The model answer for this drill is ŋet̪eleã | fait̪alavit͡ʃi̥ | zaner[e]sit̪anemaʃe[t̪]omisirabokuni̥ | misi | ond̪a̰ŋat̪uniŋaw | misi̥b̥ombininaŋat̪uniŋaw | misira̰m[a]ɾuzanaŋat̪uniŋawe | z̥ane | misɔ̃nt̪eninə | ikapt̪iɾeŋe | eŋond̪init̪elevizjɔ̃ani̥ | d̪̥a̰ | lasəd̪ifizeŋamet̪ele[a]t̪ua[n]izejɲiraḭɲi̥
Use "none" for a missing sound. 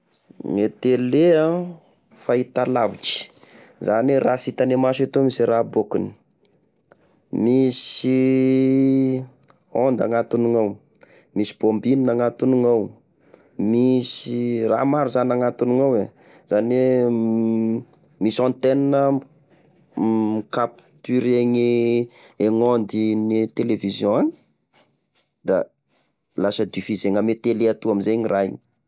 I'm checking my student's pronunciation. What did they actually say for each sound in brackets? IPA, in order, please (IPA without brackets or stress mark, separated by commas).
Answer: a, t̪, a, a, m